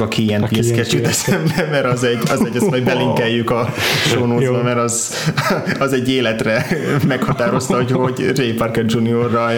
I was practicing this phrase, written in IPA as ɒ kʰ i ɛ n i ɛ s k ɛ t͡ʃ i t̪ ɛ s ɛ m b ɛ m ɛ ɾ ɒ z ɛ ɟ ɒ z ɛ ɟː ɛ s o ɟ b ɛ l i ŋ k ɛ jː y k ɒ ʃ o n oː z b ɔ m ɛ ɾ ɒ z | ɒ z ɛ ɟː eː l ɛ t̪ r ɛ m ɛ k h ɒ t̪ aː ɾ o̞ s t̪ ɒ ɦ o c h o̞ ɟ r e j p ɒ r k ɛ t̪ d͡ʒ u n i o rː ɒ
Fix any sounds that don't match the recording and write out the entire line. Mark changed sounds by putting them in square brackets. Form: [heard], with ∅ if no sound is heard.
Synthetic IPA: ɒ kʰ i ɛ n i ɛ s k ɛ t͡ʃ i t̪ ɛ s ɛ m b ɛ m ɛ ɾ ɒ z ɛ ɟ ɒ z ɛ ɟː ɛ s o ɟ b ɛ l i ŋ k ɛ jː y k ɒ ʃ o n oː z b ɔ m ɛ ɾ ɒ z | ɒ z ɛ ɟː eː l ɛ t̪ r ɛ m ɛ k h ɒ t̪ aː ɾ o̞ s t̪ ɒ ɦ o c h o̞ ɟ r e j p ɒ r k ɛ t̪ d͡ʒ u n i o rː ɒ